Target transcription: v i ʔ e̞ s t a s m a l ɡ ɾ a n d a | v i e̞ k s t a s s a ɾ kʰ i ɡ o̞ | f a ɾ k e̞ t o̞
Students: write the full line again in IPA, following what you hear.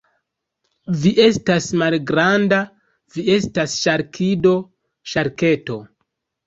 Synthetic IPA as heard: v i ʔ e̞ s t a s m a l ɡ ɾ a n d a | v i e̞ s t a s ʃ a ɾ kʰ i d o̞ | ʃ a ɾ k e̞ t o̞

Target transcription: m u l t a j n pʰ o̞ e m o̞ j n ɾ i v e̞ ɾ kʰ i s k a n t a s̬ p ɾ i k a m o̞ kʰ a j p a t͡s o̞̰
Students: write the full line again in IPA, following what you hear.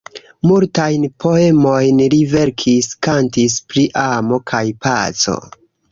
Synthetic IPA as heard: m u l t a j n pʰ o̞ e m o̞ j n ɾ i v e̞ ɾ kʰ i s k a n t i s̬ p ɾ i ʔ a m o̞ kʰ a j p a t͡s o̞̰

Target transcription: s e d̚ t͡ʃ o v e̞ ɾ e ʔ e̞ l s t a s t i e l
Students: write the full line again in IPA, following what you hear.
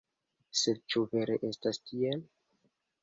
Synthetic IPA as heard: s e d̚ t͡ʃ u v e̞ ɾ e ʔ e̞ s t a s t i e l

